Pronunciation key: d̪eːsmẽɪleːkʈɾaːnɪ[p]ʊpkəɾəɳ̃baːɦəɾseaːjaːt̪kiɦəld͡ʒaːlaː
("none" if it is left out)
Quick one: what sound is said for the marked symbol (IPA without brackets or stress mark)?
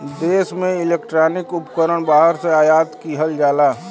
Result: k